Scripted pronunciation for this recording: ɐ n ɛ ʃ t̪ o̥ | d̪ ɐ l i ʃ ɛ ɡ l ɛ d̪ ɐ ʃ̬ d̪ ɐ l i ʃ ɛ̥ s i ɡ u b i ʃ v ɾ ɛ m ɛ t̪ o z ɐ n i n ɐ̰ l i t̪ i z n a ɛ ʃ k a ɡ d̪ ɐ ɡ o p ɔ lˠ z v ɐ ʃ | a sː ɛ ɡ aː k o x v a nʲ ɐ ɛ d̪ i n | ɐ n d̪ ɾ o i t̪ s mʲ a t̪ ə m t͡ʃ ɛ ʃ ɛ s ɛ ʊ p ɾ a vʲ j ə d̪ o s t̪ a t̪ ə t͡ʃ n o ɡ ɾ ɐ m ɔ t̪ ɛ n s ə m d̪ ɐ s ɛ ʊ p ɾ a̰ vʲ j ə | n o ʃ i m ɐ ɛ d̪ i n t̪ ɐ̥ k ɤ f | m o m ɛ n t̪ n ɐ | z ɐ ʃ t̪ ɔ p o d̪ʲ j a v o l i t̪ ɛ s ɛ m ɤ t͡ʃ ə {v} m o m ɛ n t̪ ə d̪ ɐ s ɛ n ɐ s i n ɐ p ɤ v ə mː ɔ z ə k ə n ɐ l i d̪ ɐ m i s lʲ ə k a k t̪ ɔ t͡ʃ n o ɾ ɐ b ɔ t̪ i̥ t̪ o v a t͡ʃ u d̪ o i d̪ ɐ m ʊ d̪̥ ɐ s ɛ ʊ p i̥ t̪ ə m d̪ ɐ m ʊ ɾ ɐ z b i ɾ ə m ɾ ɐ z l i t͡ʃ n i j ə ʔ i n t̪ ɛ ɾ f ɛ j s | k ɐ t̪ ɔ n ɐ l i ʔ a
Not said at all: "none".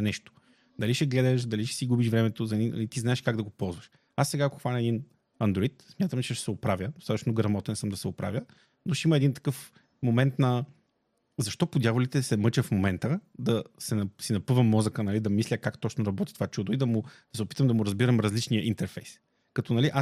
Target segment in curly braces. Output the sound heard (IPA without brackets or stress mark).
f